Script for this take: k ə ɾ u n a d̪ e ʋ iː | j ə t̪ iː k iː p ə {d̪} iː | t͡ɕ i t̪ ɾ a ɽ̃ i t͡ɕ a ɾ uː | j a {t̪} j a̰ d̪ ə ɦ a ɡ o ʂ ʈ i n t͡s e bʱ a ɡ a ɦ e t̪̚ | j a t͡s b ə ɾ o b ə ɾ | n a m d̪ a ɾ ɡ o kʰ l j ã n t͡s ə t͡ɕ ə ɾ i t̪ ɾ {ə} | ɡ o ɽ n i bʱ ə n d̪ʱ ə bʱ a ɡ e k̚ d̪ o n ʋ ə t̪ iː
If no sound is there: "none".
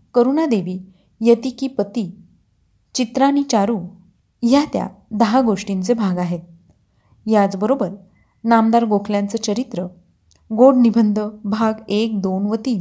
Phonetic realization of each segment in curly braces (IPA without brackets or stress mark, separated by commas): t̪, t̪, ə